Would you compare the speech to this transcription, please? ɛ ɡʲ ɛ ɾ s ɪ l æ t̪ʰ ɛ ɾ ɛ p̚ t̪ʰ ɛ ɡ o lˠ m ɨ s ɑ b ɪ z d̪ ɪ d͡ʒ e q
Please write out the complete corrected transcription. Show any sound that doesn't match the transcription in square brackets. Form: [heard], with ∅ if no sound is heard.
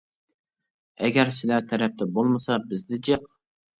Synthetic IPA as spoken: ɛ ɡʲ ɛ ɾ s ɪ l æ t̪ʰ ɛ ɾ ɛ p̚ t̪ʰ ɛ [b] o lˠ m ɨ s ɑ b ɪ z d̪ ɪ d͡ʒ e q